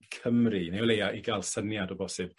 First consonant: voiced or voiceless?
voiceless